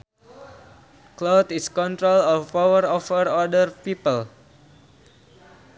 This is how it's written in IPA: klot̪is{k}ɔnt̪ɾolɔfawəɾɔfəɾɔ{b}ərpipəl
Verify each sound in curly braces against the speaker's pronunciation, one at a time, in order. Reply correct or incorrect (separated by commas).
correct, incorrect